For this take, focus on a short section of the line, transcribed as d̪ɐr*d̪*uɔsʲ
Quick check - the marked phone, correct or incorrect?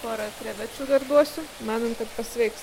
correct